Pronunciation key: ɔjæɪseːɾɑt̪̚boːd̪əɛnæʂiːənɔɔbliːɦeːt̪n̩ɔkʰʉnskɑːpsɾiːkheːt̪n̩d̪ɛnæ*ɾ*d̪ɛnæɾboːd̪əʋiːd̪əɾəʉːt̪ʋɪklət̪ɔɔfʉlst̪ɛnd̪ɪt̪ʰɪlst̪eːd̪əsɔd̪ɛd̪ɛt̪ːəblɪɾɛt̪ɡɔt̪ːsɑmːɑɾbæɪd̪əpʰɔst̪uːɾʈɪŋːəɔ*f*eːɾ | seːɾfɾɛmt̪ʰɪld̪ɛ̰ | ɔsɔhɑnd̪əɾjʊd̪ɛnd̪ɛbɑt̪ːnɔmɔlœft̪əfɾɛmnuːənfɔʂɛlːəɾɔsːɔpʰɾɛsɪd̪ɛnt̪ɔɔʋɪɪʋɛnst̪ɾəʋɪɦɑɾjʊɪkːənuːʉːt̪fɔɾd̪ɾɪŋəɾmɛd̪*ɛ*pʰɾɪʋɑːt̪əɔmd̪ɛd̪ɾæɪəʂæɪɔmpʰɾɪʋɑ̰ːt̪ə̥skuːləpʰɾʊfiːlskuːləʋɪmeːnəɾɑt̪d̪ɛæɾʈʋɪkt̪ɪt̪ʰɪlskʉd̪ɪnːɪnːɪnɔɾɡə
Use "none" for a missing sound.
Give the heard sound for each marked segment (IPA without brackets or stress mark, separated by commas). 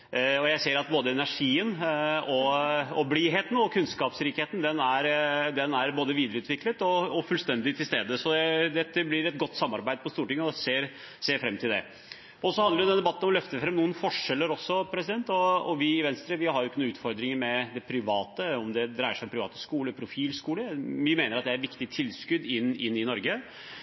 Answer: ɾ, s, ɛ